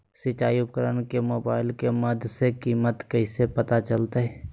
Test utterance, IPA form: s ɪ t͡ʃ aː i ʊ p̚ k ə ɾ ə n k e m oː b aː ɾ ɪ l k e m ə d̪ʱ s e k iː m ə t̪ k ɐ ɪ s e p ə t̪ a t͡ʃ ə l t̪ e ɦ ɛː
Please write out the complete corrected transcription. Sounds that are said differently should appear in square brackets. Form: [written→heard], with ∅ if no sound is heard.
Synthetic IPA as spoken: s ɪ t͡ʃ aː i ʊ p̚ k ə ɾ ə n k e m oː b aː [ɾ→∅] ɪ l k e m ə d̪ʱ s e k iː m ə t̪ k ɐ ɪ s e p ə t̪ a t͡ʃ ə l t̪ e ɦ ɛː